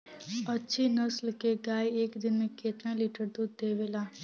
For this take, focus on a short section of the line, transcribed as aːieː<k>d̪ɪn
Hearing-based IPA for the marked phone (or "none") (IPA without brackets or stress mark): k